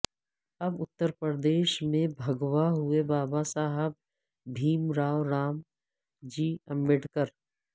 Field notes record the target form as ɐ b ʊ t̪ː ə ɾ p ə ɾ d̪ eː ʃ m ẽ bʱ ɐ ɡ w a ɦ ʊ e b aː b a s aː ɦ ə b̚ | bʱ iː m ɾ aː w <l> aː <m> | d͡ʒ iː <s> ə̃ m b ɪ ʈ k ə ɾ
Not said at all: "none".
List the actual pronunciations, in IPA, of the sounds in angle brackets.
ɾ, m, none

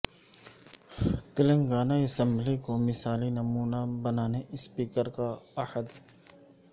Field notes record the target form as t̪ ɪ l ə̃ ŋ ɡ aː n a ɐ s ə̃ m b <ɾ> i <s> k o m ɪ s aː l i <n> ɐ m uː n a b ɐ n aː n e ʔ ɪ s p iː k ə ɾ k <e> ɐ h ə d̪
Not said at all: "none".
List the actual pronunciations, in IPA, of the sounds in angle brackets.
l, none, n, a

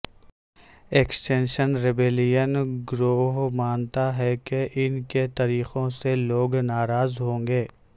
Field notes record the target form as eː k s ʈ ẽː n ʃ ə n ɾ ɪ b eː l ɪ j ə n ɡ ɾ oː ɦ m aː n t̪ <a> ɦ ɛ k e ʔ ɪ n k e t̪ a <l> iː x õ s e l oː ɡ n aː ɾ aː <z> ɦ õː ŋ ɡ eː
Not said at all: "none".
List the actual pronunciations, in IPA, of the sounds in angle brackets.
a, ɾ, z

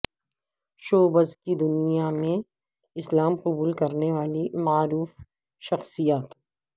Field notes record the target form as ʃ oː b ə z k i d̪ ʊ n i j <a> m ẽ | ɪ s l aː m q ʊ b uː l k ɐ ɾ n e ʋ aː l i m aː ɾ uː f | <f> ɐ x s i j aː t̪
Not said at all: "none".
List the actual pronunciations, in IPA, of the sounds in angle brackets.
a, ʃ

